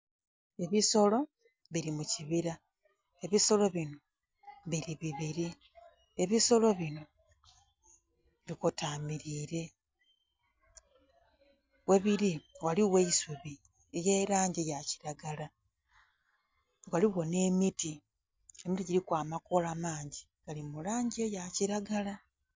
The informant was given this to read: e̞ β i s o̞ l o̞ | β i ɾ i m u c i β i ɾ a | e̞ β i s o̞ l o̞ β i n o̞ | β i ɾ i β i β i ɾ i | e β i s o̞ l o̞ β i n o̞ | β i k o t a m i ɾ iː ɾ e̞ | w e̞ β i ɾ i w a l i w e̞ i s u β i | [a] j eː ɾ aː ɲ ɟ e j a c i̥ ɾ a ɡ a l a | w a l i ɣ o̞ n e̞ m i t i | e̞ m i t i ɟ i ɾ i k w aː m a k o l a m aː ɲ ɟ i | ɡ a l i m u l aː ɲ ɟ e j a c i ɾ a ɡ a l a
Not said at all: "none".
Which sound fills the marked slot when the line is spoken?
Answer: e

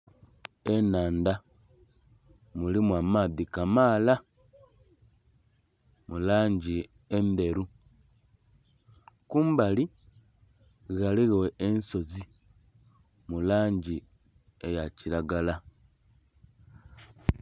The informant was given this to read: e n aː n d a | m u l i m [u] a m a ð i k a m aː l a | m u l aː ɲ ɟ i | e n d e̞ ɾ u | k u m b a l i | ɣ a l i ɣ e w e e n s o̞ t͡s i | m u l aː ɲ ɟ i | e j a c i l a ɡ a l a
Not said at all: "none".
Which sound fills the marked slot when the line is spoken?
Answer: w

